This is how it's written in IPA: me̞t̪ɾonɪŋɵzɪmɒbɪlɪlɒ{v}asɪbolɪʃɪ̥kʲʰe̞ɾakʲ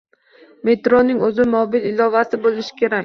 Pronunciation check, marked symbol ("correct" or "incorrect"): correct